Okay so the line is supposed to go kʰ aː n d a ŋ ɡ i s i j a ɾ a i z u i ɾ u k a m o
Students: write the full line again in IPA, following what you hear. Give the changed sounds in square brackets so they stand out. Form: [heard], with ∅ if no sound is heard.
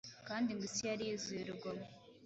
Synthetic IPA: [k] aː n d [i] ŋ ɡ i s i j a ɾ [i] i z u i ɾ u [ɡ] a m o